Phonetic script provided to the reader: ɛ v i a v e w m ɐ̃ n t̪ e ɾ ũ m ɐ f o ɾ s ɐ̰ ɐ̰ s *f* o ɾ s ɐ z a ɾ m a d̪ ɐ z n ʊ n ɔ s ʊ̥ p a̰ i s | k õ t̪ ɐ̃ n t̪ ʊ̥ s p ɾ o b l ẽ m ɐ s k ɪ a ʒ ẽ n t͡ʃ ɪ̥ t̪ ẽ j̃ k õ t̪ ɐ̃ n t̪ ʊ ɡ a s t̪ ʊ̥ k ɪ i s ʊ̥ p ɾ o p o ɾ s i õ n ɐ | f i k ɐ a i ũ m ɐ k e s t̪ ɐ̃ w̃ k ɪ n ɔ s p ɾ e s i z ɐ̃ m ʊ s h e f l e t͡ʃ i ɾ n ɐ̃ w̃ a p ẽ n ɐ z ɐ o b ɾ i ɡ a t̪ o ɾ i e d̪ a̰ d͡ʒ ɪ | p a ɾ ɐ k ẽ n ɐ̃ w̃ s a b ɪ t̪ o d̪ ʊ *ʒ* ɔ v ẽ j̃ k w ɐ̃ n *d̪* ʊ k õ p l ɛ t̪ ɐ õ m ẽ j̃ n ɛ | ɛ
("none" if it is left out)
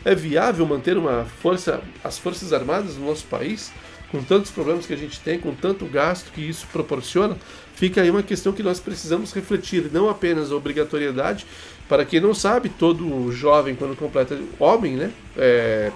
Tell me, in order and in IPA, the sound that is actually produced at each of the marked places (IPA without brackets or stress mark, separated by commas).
f, ʒ, d̪